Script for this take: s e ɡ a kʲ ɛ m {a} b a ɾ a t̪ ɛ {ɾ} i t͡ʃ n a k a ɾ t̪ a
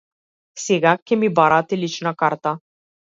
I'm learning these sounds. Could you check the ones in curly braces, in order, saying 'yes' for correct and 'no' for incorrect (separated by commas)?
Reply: no, no